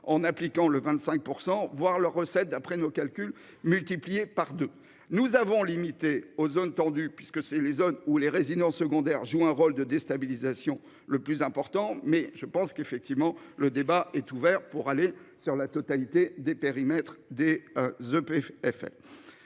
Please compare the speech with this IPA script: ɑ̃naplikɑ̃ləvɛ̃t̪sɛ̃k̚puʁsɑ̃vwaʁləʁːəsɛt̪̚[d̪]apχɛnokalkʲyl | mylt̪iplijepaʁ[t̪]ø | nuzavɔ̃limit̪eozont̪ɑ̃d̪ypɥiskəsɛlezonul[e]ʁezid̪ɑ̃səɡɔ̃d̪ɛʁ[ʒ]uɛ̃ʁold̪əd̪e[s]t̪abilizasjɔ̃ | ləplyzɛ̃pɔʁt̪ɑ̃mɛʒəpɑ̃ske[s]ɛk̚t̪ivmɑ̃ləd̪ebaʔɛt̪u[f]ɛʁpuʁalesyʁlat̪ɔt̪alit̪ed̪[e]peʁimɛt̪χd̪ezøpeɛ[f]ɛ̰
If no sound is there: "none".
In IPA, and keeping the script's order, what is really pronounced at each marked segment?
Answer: d̪, d̪, e, ʒ, s, f, v, e, f

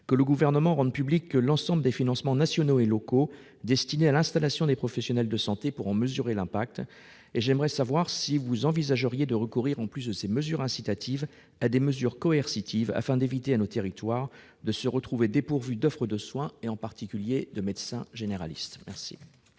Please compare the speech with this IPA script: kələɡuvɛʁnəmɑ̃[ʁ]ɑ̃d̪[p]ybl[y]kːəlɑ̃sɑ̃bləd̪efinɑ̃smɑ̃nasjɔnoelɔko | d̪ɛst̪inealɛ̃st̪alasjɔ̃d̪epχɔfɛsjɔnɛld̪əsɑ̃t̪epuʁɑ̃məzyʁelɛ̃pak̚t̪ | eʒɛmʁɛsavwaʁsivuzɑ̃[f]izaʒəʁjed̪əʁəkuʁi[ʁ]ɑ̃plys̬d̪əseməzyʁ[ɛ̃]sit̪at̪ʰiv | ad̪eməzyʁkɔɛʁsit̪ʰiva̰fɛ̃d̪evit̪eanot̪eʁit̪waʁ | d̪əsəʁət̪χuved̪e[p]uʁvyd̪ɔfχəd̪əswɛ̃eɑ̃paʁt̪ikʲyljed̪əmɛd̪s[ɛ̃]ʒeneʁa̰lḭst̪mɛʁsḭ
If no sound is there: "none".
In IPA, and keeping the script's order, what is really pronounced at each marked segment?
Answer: ʁ, p, i, v, ʁ, ɛ̃, p, ɛ̃

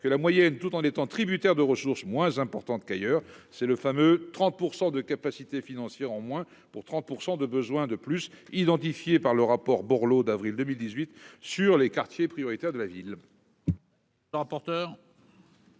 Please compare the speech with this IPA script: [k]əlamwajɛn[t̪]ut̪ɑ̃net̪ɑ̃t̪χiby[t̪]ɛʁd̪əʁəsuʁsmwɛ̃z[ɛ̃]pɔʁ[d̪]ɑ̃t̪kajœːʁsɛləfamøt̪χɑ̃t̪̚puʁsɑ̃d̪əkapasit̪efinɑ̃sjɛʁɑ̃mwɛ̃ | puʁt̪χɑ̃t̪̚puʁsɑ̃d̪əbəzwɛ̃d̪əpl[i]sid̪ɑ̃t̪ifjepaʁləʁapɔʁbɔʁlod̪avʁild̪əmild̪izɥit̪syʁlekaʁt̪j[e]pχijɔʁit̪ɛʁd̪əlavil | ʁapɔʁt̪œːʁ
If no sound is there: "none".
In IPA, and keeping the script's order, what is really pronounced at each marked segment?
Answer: k, t̪, t̪, ɛ̃, t̪, y, e

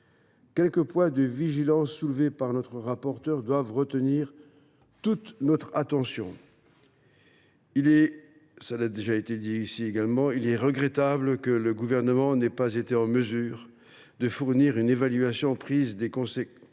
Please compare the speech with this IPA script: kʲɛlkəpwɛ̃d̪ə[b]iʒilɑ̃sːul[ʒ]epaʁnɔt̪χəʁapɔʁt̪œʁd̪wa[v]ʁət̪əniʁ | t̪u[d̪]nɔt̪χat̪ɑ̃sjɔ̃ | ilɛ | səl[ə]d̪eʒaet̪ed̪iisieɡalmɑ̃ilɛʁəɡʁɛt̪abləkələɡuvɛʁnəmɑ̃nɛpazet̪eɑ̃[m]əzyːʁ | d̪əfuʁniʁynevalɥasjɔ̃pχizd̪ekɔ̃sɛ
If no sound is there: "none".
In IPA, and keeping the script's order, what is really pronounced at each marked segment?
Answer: v, v, v, t̪, a, m

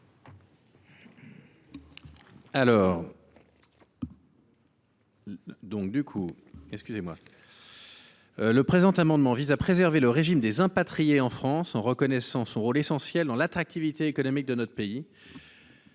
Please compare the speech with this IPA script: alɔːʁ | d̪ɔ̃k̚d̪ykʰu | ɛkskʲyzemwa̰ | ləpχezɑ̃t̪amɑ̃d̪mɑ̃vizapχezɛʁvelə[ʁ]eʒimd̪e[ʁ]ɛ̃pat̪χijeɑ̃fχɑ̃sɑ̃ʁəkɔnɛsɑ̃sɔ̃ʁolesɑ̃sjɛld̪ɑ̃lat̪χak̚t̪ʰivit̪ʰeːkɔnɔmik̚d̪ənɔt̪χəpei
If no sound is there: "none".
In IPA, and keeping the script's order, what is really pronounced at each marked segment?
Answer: ʁ, z

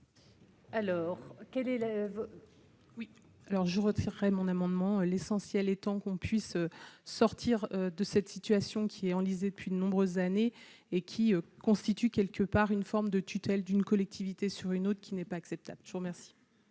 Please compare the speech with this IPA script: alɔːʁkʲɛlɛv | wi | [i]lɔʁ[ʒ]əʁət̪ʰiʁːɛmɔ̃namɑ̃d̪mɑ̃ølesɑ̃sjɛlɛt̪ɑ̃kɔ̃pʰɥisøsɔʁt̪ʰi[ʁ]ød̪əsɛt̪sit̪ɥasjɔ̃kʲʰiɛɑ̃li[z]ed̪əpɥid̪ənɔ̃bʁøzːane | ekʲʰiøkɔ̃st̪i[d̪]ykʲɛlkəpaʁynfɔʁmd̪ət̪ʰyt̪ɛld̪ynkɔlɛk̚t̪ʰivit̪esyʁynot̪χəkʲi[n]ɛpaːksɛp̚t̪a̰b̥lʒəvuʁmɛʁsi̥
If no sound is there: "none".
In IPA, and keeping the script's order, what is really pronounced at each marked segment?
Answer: a, ʒ, ʁ, z, t̪, n

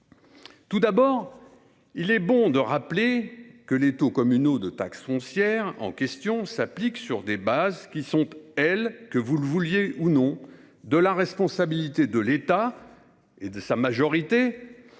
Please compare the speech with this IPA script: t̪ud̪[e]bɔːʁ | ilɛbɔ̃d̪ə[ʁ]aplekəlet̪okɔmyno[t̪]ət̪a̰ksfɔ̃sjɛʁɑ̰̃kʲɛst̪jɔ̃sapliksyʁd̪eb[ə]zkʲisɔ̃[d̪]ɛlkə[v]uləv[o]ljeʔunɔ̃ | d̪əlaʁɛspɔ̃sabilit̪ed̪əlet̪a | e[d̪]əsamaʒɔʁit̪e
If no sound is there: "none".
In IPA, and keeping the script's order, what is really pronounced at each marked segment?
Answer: a, ʁ, d̪, a, t̪, v, u, d̪

